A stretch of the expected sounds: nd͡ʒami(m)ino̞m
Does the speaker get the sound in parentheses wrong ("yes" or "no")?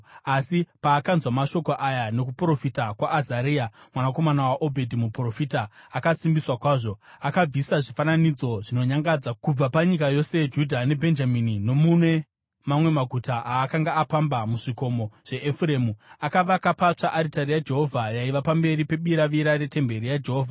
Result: yes